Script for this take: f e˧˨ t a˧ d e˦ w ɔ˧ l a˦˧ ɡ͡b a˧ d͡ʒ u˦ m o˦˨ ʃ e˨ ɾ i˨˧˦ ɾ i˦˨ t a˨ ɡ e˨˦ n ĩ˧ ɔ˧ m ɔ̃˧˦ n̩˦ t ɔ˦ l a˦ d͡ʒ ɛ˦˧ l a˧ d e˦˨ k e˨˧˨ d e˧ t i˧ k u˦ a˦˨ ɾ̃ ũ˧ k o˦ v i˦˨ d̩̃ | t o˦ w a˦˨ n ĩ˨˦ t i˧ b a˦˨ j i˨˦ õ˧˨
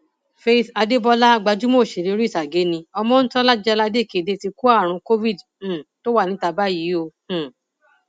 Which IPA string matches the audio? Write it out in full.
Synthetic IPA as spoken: f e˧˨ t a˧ d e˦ b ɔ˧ l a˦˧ ɡ͡b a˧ d͡ʒ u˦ m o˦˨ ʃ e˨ ɾ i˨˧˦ ɾ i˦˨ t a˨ ɡ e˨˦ n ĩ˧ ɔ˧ m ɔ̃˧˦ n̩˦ t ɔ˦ l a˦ d͡ʒ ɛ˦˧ l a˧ d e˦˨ k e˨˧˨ d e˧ t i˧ k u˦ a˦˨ ɾ̃ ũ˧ k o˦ v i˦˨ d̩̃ | t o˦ w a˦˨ n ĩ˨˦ t a˧ b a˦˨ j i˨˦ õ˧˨

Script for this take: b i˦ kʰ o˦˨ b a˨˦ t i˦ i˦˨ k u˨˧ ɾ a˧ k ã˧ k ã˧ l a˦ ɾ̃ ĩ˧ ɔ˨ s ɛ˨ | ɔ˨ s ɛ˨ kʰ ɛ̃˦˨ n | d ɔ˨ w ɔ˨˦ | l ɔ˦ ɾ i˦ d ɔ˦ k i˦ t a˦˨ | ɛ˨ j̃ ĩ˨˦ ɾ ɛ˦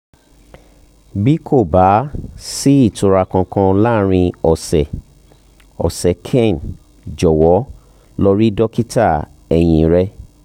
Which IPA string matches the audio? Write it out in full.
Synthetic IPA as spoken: b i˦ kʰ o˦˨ b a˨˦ s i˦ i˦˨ t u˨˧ ɾ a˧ k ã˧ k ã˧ l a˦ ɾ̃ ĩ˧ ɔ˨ s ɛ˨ | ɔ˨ s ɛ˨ kʰ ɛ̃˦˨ n | d͡ʒ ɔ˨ w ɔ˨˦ | l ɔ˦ ɾ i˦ d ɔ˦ k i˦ t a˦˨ | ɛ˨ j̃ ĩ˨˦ ɾ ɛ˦

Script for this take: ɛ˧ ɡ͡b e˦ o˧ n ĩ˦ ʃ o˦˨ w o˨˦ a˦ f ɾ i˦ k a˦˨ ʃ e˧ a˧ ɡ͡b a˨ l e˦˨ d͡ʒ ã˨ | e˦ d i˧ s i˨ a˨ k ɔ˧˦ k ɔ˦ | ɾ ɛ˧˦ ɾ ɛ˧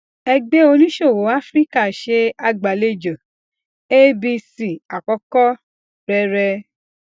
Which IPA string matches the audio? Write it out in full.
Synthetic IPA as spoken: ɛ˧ ɡ͡b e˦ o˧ n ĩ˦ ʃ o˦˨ w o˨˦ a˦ f ɾ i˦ k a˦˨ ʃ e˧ a˧ ɡ͡b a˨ l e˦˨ d͡ʒ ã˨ | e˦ b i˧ s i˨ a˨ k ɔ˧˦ k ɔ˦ | ɾ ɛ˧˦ ɾ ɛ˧

